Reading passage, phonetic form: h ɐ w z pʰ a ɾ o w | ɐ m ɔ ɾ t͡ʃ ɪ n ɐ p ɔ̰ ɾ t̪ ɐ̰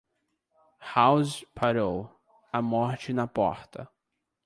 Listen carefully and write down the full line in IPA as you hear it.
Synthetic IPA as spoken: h a w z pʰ a ɾ o w | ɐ m ɔ ɾ t͡ʃ ɪ n ɐ p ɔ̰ ɾ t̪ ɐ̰